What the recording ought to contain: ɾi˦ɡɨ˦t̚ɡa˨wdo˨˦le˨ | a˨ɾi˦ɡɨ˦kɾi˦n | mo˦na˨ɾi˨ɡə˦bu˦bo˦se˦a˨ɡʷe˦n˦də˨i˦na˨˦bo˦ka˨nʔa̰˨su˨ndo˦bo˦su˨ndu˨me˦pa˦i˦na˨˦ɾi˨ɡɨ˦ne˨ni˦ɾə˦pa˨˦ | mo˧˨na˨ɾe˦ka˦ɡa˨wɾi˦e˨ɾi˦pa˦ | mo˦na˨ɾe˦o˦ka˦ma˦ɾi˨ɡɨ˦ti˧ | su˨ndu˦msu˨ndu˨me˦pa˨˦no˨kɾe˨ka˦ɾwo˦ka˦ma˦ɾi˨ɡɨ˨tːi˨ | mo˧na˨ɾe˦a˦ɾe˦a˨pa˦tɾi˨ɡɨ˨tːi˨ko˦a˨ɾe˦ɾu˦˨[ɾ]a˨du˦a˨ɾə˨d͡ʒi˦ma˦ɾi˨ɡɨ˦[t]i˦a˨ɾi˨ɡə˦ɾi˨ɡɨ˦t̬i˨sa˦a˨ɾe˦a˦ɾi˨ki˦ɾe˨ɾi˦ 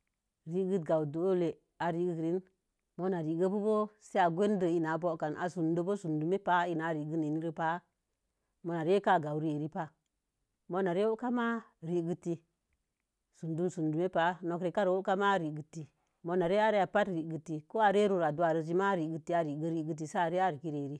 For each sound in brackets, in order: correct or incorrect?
correct, correct

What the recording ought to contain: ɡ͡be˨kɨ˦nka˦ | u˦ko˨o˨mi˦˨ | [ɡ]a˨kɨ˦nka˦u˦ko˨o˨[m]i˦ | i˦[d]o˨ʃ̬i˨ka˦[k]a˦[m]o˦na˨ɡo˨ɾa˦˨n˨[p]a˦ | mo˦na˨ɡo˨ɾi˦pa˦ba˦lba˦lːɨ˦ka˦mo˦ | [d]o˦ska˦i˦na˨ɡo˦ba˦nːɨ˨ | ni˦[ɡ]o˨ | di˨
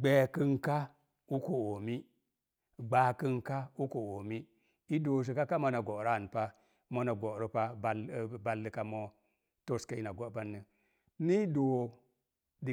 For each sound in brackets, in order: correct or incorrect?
incorrect: ɡ͡b, correct, correct, correct, correct, correct, incorrect: t, incorrect: d

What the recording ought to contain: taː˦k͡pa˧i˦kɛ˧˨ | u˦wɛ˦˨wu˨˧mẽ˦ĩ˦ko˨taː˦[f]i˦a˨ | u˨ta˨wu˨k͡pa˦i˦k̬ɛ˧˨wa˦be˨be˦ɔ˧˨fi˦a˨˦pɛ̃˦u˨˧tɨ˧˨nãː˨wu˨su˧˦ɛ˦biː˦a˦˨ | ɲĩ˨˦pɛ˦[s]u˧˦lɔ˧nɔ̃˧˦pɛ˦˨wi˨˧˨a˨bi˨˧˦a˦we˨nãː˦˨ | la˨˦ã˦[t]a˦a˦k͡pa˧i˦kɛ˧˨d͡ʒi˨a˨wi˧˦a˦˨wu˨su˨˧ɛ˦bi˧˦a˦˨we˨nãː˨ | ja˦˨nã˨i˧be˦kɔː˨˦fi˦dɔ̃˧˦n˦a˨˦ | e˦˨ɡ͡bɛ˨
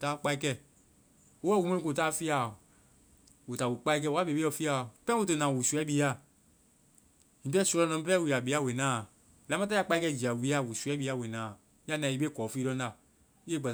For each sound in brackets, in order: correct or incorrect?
correct, correct, correct

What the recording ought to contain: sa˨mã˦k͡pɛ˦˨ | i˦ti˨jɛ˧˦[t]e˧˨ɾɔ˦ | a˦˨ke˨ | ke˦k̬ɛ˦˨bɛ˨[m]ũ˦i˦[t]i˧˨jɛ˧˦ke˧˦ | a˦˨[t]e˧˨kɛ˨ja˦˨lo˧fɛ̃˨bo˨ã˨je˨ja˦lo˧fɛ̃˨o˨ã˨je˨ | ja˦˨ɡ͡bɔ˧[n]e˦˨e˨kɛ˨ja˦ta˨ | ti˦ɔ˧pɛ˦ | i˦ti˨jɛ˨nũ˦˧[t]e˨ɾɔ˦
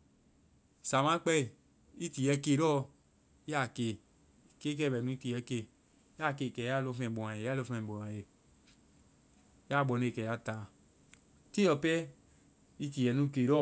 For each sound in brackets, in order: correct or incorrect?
incorrect: k, incorrect: n, correct, incorrect: k, correct, incorrect: k

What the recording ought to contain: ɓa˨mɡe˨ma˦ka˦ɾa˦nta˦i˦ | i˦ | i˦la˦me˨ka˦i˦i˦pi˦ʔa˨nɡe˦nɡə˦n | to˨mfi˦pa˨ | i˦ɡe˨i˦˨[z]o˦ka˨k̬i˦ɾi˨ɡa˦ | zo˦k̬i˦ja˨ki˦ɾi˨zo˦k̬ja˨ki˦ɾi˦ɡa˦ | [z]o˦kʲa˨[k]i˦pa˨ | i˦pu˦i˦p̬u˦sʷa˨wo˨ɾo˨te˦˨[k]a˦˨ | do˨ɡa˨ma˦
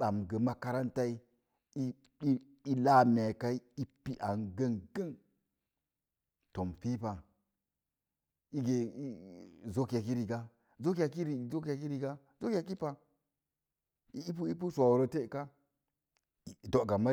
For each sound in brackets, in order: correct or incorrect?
correct, correct, correct, correct

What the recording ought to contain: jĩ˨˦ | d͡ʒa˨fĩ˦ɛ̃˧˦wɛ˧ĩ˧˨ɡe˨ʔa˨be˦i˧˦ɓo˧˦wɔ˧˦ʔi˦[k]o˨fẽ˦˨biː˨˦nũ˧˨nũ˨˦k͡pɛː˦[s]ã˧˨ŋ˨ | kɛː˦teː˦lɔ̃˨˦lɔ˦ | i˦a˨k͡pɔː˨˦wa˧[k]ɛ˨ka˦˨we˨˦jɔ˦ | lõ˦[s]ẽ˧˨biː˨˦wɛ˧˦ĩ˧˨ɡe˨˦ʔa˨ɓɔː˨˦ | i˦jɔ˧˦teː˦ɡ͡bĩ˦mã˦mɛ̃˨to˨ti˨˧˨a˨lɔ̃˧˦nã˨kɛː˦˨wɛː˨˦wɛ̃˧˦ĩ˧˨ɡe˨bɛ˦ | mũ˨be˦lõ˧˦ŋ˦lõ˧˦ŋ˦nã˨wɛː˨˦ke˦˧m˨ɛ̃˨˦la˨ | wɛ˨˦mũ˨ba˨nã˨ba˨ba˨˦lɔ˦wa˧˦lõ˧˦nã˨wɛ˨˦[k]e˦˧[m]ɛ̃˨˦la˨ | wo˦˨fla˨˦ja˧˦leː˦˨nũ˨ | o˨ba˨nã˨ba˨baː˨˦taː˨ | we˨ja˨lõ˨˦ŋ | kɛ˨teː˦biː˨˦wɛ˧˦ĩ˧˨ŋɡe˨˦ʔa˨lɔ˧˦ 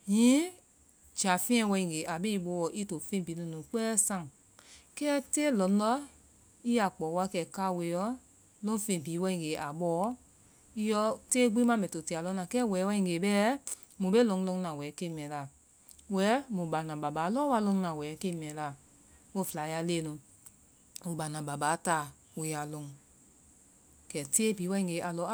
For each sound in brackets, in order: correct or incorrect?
incorrect: t, correct, correct, incorrect: f, correct, correct

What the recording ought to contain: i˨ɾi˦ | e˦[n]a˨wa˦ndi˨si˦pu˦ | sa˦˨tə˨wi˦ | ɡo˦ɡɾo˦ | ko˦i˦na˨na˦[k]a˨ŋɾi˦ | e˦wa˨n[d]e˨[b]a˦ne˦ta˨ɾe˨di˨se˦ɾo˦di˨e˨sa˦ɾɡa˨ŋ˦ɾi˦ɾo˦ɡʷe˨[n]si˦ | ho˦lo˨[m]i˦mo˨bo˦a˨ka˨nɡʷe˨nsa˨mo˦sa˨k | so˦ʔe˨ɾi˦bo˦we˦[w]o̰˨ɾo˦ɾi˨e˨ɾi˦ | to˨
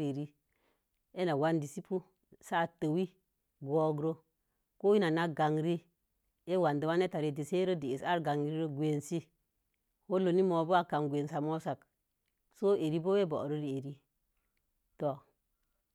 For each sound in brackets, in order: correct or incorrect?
correct, incorrect: ɡ, correct, incorrect: w, correct, incorrect: n, incorrect: b

